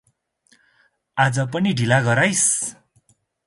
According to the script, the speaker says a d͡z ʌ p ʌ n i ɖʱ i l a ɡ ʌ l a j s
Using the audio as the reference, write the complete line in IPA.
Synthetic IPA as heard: a d͡z ʌ p ʌ n i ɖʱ i l a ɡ ʌ ɾ a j s